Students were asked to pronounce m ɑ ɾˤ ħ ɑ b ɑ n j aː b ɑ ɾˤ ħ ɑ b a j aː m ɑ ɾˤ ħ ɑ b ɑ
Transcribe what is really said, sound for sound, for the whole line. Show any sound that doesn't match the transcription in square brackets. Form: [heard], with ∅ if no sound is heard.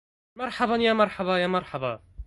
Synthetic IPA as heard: m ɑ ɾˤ ħ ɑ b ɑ n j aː [m] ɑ ɾˤ ħ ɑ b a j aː m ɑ ɾˤ ħ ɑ b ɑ